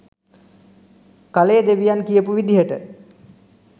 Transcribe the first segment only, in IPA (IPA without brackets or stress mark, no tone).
k